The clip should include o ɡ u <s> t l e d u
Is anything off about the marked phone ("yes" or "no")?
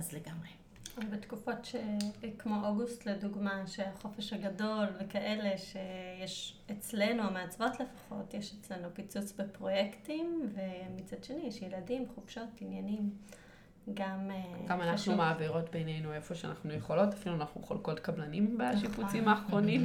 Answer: no